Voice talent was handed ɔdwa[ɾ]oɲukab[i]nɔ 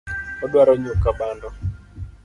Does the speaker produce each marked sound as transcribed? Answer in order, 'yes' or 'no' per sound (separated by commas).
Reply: yes, no